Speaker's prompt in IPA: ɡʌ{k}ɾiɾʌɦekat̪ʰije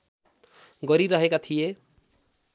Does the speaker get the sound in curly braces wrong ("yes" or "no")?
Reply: yes